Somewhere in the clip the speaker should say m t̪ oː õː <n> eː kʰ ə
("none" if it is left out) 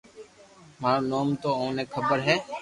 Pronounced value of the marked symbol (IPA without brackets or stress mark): n